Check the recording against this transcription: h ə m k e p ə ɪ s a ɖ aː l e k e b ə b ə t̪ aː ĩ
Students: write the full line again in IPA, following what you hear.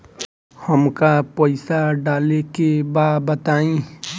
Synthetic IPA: h ə m k a p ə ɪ s a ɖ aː l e k e b a b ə t̪ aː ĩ

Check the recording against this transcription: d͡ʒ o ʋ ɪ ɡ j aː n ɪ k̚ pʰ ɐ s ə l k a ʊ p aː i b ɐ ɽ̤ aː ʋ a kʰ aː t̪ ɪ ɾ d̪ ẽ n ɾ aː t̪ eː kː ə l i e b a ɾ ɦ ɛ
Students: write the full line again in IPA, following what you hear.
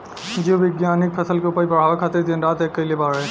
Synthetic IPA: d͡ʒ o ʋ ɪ ɡ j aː n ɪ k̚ pʰ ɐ s ə l k e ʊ p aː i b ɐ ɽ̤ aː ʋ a kʰ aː t̪ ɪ ɾ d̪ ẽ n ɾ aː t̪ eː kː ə l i e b a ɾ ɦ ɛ

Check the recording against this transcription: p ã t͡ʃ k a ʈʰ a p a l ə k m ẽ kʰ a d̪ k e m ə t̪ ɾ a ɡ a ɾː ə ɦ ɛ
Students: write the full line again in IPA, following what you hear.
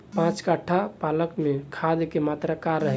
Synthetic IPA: p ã t͡ʃ k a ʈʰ a p a l ə k m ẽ kʰ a d̪ k e m a t̪ ɾ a k a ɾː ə ɦ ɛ

